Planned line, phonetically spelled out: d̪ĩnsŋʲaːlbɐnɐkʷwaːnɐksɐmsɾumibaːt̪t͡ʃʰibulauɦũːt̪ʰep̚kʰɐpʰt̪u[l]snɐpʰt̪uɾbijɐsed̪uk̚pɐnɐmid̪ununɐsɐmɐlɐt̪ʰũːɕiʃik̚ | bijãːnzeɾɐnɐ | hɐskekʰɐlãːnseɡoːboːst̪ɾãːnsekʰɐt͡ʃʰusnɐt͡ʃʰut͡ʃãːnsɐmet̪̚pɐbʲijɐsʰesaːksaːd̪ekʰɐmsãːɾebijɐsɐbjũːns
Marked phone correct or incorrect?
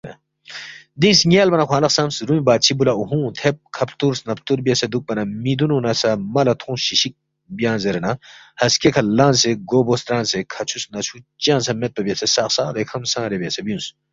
incorrect